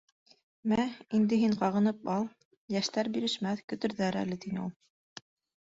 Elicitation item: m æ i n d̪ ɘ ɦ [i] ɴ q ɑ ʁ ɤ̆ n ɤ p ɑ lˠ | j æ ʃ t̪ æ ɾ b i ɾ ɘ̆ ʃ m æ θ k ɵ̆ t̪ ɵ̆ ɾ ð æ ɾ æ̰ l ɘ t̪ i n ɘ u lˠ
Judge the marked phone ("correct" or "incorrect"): correct